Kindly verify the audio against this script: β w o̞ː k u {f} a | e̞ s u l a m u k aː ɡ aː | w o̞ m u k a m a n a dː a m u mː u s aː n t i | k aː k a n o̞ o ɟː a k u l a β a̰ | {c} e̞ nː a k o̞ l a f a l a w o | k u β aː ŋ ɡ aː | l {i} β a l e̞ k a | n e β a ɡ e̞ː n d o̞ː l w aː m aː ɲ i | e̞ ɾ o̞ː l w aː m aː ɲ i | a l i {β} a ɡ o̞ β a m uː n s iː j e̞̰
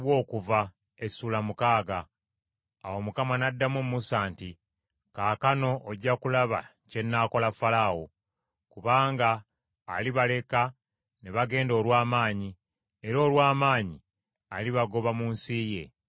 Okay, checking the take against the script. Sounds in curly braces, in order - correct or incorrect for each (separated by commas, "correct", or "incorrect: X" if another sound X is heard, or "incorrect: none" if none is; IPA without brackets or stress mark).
incorrect: v, correct, correct, correct